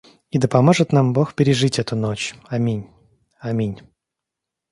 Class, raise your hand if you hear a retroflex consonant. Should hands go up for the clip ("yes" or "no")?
yes